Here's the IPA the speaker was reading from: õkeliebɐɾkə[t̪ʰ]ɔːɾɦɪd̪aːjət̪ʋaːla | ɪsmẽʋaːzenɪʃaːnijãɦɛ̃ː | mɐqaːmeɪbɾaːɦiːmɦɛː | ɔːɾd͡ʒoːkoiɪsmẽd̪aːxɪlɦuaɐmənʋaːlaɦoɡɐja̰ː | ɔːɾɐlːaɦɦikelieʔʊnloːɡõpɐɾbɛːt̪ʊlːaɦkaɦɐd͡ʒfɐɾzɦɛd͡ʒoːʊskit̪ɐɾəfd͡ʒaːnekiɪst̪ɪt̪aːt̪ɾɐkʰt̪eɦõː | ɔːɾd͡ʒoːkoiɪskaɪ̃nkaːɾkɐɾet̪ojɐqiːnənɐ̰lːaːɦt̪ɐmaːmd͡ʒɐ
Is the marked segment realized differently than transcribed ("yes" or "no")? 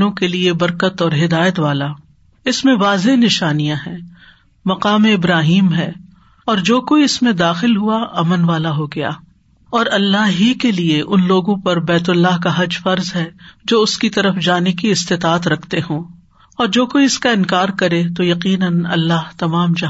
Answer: yes